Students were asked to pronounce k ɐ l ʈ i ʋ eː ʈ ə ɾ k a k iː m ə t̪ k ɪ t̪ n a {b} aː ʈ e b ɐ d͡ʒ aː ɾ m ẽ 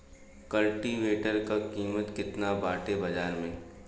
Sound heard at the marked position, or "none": b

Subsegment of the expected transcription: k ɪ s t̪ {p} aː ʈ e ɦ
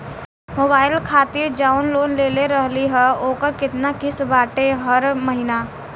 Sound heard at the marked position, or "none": b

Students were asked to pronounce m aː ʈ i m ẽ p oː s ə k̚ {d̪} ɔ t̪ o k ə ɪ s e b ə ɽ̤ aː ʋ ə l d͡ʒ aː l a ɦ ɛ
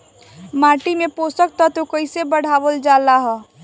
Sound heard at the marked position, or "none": t̪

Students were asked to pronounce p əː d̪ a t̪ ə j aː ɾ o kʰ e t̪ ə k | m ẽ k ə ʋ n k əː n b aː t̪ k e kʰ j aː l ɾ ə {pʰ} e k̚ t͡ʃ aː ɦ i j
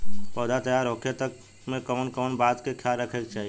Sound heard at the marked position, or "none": kʰ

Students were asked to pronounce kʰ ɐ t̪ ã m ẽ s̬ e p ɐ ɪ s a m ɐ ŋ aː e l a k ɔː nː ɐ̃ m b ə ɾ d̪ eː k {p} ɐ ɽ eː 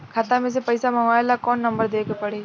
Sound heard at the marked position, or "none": p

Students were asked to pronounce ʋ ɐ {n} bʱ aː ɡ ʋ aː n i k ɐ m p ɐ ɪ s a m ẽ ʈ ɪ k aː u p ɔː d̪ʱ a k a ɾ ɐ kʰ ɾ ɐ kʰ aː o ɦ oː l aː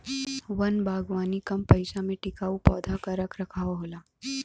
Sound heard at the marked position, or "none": n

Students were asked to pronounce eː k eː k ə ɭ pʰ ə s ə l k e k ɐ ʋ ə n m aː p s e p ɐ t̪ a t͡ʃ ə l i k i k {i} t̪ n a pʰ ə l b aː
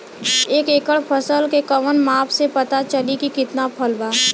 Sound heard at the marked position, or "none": ɪ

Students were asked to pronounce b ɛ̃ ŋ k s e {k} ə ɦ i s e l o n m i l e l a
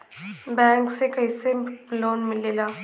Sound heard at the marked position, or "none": k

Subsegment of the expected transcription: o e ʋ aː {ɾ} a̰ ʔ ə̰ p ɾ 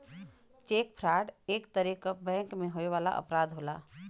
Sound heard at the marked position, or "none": l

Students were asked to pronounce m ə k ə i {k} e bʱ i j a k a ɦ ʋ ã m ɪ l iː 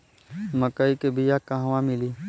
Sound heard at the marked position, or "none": k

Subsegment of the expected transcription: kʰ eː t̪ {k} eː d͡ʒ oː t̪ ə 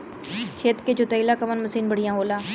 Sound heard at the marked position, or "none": k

